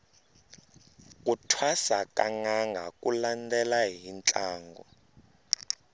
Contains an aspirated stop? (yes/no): yes